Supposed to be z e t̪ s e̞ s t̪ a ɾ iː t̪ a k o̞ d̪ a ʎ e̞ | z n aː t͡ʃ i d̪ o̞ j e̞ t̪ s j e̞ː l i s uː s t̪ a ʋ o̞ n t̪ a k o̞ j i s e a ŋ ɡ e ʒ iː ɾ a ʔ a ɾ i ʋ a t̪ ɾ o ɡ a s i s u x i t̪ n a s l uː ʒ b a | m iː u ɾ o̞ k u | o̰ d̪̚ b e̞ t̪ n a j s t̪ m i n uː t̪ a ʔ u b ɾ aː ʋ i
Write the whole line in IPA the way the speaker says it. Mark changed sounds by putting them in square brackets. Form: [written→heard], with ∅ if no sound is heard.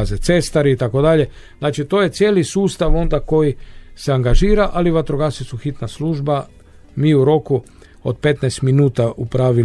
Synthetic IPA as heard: z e t̪ s e̞ s t̪ a ɾ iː t̪ a k o̞ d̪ a ʎ e̞ | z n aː t͡ʃ i [d̪→t̪] o̞ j e̞ t̪ s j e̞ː l i s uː s t̪ a ʋ o̞ n [t̪→d̪] a k o̞ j i s e a ŋ ɡ [e→a] ʒ iː ɾ a ʔ a [ɾ→l] i ʋ a t̪ ɾ o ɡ a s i s u x i t̪ n a s l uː ʒ b a | m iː u ɾ o̞ k u | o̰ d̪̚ [b→p] e̞ t̪ n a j s t̪ m i n uː t̪ a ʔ u [b→p] ɾ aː ʋ i